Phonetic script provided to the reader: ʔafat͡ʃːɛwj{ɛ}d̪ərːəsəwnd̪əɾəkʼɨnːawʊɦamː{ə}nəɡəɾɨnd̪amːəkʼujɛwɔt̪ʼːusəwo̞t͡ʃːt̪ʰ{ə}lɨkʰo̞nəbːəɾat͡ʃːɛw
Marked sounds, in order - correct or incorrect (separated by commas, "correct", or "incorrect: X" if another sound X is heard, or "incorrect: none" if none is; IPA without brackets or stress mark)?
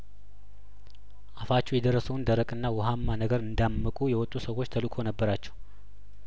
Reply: correct, incorrect: a, correct